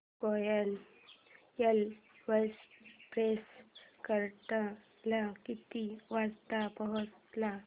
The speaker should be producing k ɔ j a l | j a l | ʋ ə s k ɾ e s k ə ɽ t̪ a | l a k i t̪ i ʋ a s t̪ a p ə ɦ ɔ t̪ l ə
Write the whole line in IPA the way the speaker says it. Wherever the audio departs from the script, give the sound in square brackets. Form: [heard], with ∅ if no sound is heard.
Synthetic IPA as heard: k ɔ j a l | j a l | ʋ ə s [p] ɾ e s k ə [ɾ] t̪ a | l a k i t̪ i ʋ a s t̪ a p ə ɦ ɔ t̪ l [a]